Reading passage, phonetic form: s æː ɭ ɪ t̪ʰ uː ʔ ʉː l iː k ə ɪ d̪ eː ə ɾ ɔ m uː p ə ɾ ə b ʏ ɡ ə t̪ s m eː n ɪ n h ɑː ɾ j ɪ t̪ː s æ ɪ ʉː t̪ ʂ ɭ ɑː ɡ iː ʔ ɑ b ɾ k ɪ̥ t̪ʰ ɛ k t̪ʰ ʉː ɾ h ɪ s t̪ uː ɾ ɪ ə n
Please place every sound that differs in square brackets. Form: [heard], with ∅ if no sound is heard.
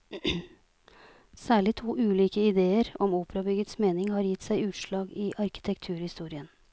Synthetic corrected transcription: s æː ɭ ɪ t̪ʰ uː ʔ ʉː l iː k ə ɪ d̪ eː ə ɾ ɔ m uː p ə ɾ [ɑ] b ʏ ɡ ə t̪ s m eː n ɪ [ŋ] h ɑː ɾ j ɪ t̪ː s æ ɪ ʉː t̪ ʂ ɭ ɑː ɡ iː ʔ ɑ [∅] ɾ k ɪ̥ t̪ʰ ɛ k t̪ʰ ʉː ɾ h ɪ s t̪ uː ɾ ɪ ə n